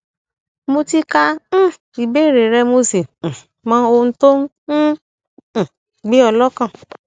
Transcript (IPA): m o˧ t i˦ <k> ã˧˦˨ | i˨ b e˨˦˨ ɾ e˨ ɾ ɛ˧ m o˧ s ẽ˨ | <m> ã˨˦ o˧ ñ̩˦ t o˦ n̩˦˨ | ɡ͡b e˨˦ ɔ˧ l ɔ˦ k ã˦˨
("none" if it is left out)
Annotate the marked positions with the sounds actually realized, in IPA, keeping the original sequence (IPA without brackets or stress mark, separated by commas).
k, m